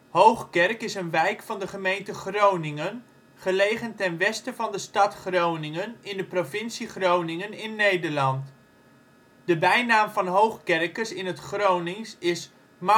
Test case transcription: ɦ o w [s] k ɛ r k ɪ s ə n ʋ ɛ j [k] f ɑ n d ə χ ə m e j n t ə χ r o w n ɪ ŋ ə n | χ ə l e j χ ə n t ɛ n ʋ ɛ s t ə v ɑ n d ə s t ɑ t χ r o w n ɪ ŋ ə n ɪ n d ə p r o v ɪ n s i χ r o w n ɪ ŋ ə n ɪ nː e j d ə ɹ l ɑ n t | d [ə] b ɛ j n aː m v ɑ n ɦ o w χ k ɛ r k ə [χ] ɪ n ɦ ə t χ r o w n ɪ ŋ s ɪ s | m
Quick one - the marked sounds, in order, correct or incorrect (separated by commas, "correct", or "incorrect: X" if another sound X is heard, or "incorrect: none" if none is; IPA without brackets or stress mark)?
incorrect: χ, correct, correct, incorrect: s